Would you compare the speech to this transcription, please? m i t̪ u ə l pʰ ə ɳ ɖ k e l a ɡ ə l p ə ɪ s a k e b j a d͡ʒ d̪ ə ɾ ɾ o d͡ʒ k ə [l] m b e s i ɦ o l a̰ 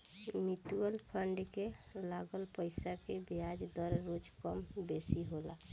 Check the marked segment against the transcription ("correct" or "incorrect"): incorrect